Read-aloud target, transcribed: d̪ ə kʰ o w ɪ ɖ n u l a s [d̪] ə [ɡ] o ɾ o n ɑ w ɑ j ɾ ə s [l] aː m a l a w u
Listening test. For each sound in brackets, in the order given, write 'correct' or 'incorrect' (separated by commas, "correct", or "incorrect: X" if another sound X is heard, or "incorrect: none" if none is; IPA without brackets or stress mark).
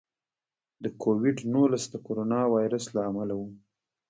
correct, incorrect: k, correct